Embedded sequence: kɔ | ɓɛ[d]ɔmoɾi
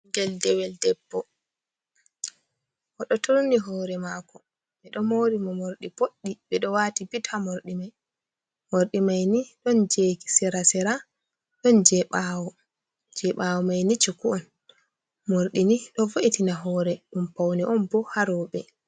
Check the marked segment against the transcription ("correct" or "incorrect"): incorrect